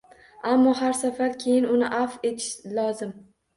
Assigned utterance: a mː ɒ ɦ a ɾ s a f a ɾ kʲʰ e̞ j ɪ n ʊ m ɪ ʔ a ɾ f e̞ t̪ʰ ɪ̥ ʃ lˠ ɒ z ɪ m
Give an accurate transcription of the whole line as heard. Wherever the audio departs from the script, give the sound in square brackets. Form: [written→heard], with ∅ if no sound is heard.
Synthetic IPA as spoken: a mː ɒ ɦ a ɾ s a f a ɾ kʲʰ e̞ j ɪ n ʊ [m→n] ɪ ʔ a [ɾ→∅] f e̞ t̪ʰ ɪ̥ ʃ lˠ ɒ z ɪ m